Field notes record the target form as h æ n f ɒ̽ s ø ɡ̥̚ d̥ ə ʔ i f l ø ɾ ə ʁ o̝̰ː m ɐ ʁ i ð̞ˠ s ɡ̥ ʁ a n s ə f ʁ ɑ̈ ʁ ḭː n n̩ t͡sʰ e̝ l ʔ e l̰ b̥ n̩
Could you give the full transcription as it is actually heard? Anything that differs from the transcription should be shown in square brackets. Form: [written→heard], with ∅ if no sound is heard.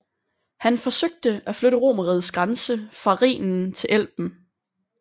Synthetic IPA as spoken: h æ n f ɒ̽ s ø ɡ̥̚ d̥ ə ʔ [i→æ] f l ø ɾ ə ʁ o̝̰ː m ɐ ʁ i ð̞ˠ s ɡ̥ ʁ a n s ə f ʁ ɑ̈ ʁ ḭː n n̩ t͡sʰ e̝ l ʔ e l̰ b̥ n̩